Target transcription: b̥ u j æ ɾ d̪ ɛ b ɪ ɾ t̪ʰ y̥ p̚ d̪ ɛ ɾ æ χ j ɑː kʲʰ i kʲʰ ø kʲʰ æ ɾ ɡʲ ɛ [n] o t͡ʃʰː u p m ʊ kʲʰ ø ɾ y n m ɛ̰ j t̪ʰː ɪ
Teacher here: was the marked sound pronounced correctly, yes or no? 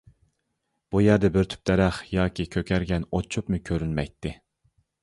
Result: yes